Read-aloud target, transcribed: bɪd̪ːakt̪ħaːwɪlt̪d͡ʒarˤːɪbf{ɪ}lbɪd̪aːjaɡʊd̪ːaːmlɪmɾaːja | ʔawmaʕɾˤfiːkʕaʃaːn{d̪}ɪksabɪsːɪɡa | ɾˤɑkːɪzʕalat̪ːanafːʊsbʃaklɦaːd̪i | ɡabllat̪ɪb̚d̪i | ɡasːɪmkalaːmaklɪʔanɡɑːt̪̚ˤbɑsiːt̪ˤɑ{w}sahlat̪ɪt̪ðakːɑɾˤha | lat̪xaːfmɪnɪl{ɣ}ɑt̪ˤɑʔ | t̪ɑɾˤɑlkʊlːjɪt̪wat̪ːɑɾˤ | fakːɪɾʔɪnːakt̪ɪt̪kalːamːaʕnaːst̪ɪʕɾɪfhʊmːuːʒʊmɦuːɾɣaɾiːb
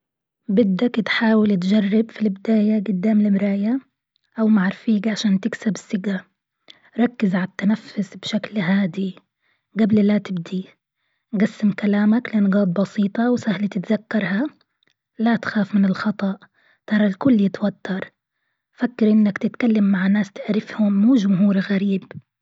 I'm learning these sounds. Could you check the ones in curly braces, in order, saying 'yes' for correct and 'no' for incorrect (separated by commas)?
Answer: no, no, yes, no